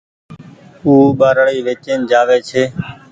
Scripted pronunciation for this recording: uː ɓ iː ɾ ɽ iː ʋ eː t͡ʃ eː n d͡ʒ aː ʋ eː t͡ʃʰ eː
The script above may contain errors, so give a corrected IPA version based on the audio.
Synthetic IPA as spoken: uː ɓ aː ɾ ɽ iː ʋ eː t͡ʃ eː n d͡ʒ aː ʋ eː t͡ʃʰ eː